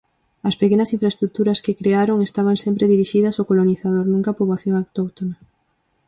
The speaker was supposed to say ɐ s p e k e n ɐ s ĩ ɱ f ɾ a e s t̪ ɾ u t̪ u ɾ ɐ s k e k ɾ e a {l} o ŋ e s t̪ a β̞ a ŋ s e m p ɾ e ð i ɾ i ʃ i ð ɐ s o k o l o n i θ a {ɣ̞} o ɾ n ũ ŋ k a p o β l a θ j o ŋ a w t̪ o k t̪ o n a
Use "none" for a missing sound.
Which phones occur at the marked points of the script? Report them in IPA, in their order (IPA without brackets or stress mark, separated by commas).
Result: ɾ, ð̞